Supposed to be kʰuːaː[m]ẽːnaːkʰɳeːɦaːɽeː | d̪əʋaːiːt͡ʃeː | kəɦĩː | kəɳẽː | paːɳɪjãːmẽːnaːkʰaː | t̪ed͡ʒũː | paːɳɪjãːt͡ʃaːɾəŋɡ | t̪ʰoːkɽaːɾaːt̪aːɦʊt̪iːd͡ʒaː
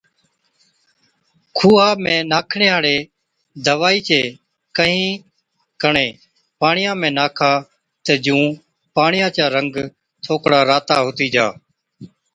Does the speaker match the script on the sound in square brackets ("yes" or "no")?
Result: yes